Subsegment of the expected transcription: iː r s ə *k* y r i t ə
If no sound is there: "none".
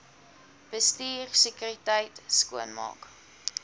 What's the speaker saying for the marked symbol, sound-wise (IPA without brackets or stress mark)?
k